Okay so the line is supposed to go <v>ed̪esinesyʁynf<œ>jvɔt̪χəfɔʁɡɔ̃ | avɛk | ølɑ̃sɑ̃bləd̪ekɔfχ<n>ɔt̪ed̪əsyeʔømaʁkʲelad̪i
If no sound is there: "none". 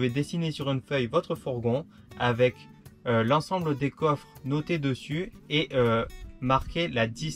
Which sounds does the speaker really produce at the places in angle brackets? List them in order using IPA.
v, œ, n

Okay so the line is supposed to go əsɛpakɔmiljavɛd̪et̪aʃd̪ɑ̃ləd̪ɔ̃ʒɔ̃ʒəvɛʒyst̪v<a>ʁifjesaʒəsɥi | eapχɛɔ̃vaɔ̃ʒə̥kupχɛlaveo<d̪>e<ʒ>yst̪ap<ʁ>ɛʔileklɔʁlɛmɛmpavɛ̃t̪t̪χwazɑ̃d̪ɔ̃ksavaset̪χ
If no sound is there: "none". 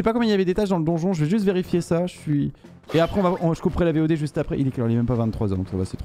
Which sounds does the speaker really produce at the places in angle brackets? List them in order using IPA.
e, d̪, ʒ, χ

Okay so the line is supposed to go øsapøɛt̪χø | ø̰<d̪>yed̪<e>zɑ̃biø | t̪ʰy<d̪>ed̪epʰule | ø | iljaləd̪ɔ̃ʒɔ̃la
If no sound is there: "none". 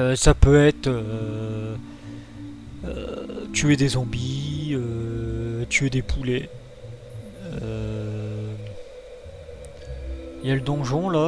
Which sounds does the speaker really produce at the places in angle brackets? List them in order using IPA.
t̪, e, none

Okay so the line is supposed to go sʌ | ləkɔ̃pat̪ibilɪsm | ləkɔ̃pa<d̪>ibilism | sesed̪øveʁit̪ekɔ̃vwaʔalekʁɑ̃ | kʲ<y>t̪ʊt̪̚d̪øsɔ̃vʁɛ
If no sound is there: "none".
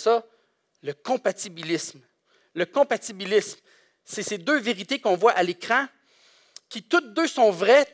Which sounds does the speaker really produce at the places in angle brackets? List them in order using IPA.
t̪, i

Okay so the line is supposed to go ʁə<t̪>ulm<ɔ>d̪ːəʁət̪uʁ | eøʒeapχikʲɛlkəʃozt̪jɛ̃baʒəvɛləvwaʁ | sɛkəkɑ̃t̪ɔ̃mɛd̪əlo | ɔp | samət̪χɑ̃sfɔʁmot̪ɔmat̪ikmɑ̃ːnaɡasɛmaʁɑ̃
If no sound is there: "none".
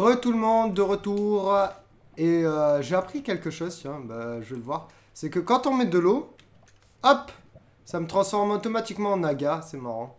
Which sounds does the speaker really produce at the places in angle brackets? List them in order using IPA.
t̪, ɔ̃

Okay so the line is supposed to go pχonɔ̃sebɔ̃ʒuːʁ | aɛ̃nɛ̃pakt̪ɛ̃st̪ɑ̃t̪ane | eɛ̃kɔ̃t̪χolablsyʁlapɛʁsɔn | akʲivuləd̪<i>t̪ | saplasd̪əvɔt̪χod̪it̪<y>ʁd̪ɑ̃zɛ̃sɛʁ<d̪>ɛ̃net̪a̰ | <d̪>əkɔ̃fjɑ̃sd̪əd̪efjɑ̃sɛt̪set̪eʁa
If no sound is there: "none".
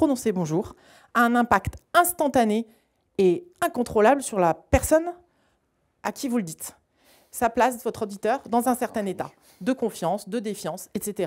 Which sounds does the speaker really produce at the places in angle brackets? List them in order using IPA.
i, œ, t̪, d̪

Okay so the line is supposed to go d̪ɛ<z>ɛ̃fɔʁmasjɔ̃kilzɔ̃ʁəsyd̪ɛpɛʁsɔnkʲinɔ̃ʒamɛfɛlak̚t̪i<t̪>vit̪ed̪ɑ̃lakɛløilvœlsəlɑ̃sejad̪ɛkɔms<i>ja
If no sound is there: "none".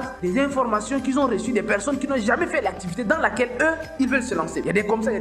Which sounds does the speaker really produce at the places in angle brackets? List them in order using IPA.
z, none, a

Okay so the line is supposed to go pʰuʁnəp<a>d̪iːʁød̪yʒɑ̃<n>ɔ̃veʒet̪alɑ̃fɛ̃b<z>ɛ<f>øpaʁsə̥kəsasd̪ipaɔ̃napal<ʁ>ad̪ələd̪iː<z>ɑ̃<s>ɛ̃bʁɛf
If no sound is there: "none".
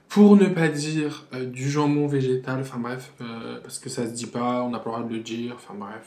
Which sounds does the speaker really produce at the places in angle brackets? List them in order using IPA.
a, m, ʁ, f, ʁ, ʁ, f

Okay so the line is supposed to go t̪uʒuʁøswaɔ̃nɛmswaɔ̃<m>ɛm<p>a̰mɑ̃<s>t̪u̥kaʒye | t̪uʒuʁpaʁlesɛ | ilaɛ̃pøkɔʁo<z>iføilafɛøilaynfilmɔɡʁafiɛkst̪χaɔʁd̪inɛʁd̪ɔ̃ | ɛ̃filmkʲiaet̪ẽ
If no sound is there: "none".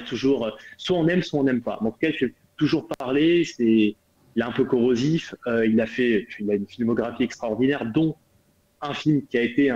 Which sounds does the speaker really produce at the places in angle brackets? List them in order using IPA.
n, p, none, z

